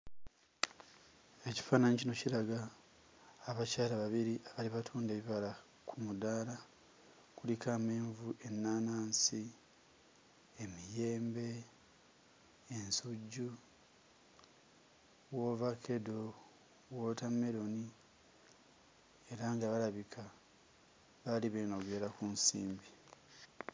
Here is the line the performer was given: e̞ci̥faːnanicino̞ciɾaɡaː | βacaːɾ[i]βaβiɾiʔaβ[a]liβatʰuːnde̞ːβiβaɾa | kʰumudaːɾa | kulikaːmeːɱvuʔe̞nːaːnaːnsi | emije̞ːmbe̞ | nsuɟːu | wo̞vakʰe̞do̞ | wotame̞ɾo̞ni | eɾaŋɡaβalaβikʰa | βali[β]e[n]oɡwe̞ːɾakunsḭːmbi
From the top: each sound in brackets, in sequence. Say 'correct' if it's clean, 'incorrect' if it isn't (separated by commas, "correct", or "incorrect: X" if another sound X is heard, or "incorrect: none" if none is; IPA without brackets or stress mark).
incorrect: a, correct, correct, correct